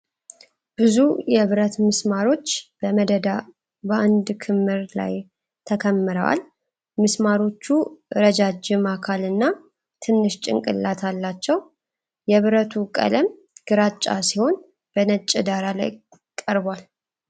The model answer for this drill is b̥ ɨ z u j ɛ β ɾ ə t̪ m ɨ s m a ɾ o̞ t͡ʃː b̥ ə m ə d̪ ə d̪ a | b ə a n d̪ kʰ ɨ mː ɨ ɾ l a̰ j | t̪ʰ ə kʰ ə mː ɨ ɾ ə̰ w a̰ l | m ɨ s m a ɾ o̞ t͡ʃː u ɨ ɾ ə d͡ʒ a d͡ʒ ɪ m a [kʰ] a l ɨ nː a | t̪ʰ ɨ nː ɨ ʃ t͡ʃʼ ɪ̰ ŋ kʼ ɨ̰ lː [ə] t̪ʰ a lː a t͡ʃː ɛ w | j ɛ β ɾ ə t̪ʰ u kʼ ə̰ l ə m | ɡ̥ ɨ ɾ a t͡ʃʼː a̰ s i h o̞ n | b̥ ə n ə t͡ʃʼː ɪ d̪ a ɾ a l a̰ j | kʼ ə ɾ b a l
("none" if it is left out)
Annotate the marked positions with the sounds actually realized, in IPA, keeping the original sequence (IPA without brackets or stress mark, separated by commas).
kʰ, a